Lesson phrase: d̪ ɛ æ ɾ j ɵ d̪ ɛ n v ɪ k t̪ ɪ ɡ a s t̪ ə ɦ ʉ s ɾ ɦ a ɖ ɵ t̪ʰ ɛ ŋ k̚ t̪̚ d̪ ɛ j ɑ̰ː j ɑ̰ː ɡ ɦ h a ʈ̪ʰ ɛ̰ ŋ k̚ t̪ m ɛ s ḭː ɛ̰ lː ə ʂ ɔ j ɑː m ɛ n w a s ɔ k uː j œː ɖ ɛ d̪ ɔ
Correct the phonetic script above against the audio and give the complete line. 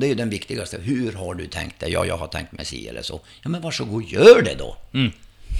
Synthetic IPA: d̪ ɛ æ ɾ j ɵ d̪ ɛ n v ɪ k t̪ ɪ ɡ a s t̪ ə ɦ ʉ ɾ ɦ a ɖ ɵ t̪ʰ ɛ ŋ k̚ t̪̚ d̪ ɛ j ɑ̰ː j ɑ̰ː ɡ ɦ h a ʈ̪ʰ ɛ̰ ŋ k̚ t̪ m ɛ s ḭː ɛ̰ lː ə ʂ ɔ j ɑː m ɛ n v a ʂ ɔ ɡ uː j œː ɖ ɛ d̪ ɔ